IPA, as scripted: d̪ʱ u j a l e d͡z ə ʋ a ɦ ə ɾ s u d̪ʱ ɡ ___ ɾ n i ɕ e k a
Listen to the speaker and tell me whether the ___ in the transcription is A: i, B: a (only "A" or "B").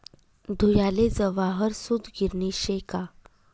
A